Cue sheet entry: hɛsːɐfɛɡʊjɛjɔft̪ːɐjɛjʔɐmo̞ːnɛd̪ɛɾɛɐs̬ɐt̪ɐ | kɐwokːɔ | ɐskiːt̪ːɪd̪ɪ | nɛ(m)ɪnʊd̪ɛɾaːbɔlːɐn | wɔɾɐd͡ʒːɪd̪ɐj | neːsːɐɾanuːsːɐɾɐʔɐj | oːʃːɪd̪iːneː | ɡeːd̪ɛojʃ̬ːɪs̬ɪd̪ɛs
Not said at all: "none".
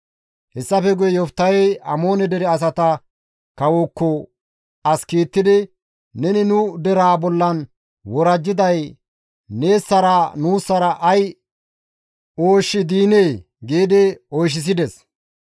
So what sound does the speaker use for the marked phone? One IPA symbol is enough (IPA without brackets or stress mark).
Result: n